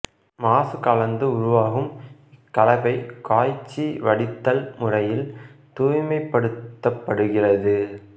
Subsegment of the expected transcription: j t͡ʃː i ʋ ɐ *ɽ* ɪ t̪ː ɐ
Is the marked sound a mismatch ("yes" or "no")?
no